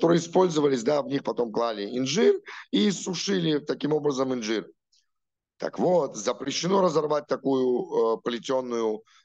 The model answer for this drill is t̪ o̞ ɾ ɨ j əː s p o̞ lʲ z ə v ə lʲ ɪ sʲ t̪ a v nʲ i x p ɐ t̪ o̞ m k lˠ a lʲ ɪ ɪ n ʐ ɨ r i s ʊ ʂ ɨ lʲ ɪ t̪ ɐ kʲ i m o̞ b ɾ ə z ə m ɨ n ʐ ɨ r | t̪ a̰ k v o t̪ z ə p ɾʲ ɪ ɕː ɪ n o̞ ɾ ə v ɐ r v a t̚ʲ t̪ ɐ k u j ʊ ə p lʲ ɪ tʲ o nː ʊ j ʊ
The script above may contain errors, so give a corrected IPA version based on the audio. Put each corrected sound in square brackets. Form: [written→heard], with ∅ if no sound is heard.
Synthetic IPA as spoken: t̪ o̞ ɾ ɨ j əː s p o̞ lʲ z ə v ə lʲ ɪ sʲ [t̪→d̪] a v nʲ i x p ɐ t̪ o̞ m k lˠ a lʲ ɪ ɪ n ʐ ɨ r i s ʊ ʂ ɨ lʲ ɪ t̪ ɐ kʲ i m o̞ b ɾ ə z ə m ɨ n ʐ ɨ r | t̪ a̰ k v o t̪ z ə p ɾʲ ɪ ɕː ɪ n o̞ ɾ ə [v→z] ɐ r v a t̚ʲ t̪ ɐ k u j ʊ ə p lʲ ɪ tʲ o nː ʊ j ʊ